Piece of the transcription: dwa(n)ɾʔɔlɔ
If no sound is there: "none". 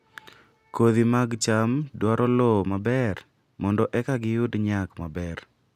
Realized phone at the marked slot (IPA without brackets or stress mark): none